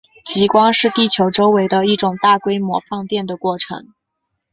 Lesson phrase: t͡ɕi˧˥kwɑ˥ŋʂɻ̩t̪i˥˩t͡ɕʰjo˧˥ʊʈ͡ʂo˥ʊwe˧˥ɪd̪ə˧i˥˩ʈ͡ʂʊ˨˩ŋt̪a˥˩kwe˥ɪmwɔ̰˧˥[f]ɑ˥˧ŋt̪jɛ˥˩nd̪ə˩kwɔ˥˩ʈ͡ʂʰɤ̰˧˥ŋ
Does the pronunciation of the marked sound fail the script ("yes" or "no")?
no